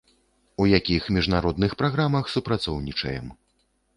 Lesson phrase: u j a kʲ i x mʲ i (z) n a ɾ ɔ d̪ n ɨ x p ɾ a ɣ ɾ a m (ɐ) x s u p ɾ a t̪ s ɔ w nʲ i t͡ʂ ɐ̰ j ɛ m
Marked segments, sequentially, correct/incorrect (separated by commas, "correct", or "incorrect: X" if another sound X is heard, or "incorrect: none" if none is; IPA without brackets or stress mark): incorrect: ʐ, correct